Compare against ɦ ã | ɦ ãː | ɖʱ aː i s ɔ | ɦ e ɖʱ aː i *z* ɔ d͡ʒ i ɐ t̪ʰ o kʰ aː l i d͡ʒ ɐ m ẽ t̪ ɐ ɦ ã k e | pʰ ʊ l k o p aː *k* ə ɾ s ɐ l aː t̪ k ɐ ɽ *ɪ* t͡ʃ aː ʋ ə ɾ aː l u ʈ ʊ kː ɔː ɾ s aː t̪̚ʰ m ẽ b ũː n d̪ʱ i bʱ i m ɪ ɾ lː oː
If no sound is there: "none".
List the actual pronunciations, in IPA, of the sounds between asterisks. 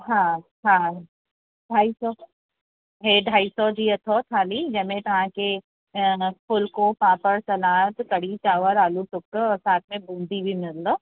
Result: s, p, i

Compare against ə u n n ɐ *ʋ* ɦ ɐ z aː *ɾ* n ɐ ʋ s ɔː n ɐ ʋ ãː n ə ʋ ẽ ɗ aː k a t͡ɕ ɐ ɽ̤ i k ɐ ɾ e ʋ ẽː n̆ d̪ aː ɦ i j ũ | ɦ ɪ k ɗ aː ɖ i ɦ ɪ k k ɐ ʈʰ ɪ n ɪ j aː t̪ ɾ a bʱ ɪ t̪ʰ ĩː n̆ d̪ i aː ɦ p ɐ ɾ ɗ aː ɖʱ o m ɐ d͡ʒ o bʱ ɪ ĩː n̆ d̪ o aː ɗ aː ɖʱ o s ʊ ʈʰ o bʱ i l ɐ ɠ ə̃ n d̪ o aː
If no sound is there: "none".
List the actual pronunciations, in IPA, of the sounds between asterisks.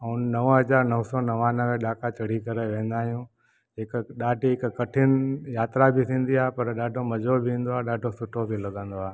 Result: ʋ, ɾ

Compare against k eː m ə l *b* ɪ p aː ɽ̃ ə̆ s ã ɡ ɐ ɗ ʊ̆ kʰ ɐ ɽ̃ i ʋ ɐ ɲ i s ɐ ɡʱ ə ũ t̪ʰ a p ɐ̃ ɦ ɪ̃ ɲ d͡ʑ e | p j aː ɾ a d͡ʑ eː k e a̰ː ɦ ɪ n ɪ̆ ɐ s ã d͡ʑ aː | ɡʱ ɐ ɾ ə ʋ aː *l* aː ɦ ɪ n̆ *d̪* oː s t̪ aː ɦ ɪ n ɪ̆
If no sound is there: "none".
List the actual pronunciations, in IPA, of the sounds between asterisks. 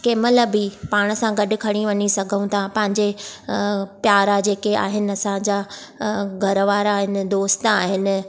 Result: b, ɾ, d̪

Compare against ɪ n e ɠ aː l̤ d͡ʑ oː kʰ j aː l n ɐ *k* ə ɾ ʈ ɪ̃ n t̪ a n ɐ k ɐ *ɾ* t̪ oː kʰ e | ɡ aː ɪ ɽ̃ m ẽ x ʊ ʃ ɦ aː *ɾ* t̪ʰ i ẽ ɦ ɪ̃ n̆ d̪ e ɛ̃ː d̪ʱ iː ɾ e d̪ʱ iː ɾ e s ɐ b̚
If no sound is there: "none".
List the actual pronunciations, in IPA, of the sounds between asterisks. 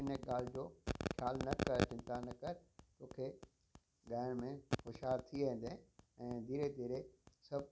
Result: k, ɾ, ɾ

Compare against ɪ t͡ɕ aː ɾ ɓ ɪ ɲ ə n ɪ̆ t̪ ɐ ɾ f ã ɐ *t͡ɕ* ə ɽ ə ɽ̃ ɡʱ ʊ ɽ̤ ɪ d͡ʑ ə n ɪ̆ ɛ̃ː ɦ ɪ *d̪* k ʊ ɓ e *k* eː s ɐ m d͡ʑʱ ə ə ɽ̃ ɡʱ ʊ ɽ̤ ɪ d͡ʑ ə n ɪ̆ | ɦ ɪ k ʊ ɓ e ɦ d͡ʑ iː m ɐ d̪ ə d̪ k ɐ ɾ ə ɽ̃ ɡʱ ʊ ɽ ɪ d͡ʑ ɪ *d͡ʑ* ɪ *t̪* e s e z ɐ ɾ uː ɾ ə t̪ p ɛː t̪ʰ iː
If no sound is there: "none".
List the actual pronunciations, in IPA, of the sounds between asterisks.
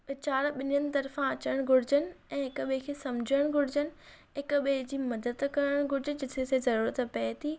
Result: t͡ɕ, none, kʰ, d͡ʑ, t̪ʰ

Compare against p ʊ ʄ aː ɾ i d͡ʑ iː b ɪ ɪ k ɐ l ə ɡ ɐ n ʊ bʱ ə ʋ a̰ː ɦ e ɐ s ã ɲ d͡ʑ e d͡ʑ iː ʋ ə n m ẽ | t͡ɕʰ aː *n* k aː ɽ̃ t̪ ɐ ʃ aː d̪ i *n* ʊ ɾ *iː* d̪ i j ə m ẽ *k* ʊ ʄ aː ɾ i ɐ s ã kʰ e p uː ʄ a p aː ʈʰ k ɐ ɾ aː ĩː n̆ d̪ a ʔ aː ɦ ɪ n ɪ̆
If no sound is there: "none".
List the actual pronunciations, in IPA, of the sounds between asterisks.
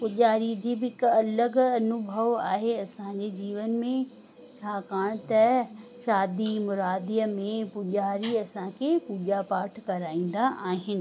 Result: none, m, aː, p

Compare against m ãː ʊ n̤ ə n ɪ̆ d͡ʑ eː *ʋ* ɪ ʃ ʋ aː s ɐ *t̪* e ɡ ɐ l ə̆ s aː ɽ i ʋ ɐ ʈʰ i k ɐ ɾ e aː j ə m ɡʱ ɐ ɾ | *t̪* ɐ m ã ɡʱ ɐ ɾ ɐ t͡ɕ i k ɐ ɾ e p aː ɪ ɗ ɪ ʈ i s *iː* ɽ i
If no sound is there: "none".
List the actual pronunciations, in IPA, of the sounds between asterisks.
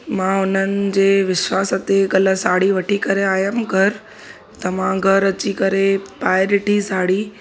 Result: ʋ, t̪, t̪, aː

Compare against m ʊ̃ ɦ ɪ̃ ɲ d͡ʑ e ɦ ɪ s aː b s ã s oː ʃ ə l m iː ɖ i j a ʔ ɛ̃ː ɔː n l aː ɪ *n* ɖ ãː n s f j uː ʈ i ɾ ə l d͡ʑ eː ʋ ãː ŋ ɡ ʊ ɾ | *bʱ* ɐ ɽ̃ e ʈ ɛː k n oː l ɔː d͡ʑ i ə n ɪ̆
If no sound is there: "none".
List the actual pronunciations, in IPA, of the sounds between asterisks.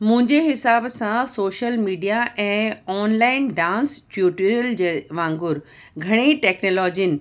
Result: n, ɡʱ

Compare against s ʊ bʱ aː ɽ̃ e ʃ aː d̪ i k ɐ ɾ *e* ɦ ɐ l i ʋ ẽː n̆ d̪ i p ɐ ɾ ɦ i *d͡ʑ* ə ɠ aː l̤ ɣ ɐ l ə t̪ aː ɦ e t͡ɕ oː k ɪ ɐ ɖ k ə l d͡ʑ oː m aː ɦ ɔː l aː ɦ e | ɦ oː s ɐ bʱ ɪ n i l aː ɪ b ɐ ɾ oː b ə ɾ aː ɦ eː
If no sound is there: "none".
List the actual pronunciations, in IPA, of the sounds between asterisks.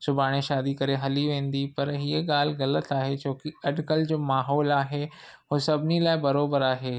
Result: e, none

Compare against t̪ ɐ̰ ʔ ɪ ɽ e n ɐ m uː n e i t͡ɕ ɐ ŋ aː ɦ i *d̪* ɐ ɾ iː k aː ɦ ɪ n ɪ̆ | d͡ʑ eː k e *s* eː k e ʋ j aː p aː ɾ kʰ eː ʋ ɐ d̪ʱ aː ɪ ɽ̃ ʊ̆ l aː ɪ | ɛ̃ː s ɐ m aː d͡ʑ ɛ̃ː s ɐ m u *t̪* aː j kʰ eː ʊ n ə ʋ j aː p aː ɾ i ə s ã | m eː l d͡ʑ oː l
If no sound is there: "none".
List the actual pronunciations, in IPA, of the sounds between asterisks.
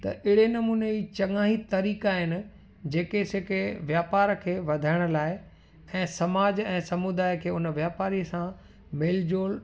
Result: t̪, s, d̪

